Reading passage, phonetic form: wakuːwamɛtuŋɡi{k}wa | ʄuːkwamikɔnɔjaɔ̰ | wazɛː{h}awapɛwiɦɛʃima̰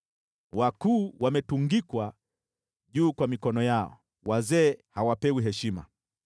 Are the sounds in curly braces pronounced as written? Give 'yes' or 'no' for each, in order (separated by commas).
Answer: yes, yes